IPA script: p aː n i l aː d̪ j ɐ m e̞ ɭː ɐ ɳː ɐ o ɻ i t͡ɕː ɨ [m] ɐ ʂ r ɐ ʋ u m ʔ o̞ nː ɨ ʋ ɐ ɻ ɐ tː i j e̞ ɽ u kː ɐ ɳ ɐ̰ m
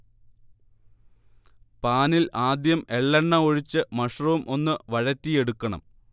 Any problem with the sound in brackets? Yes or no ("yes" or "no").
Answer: no